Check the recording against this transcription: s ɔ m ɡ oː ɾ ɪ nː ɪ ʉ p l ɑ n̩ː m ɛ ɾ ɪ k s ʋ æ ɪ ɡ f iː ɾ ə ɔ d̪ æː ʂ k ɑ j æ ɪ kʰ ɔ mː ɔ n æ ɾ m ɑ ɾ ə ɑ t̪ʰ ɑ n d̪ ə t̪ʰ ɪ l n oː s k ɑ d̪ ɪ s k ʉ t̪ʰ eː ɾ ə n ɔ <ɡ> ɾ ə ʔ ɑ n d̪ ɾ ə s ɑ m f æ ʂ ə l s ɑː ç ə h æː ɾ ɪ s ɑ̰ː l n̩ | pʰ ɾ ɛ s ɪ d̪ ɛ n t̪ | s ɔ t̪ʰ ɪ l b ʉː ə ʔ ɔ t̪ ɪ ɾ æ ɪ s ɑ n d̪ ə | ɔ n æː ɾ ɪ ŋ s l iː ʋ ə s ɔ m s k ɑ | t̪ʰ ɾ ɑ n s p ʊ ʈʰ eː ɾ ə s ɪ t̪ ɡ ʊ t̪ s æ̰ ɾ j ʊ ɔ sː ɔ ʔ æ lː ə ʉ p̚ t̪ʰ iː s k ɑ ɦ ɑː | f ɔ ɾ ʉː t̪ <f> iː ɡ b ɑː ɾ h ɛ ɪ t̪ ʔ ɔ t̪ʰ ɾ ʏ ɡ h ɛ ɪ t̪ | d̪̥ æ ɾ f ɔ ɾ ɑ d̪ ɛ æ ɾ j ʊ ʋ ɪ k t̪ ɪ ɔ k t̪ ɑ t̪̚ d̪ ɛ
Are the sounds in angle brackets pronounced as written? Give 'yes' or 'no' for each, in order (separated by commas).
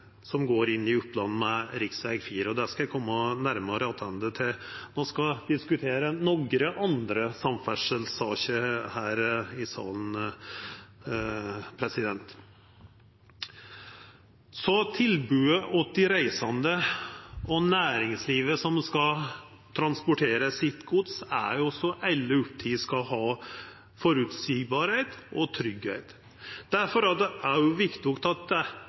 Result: yes, no